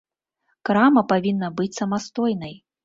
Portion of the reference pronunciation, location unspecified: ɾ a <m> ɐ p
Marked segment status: correct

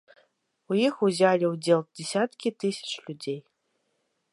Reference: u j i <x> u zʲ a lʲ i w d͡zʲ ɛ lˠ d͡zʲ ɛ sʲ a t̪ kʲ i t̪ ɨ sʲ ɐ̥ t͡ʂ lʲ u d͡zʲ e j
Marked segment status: correct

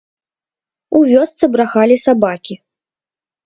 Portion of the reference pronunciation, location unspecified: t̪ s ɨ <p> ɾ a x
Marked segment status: incorrect: b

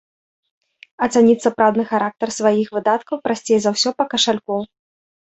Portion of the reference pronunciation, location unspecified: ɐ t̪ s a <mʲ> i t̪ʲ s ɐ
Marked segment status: incorrect: nʲ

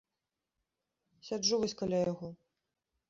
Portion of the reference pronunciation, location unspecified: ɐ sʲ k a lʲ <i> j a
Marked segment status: incorrect: a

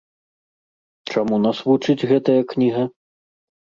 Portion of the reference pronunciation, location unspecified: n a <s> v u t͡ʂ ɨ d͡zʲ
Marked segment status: correct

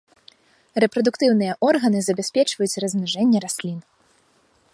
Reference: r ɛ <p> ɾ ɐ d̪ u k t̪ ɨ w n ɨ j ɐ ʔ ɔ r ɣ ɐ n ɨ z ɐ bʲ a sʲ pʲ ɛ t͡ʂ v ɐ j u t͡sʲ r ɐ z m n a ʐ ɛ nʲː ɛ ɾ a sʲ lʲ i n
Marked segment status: correct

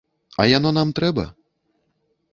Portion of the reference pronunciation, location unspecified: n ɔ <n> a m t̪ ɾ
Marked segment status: correct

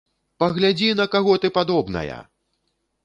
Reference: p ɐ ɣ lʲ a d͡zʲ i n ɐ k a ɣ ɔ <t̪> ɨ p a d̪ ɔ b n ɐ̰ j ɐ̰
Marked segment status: correct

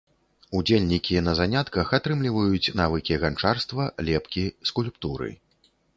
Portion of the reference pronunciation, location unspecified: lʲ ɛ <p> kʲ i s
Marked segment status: correct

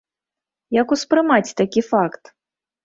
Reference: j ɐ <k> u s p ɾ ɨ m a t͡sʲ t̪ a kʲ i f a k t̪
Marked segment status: correct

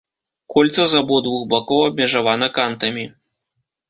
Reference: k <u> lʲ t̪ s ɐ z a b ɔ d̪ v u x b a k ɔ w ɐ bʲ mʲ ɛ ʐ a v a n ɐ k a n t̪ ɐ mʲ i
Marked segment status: incorrect: ɔ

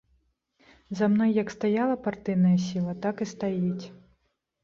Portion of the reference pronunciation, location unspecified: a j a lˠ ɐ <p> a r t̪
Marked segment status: correct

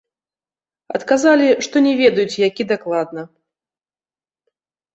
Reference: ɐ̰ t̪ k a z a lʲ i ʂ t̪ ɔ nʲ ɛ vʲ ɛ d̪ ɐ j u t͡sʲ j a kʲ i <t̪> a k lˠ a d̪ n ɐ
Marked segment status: incorrect: d̪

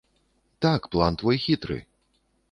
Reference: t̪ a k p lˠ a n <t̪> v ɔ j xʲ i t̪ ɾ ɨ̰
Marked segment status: correct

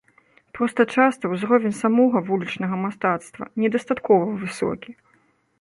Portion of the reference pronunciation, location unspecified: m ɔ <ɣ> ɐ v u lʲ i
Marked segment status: correct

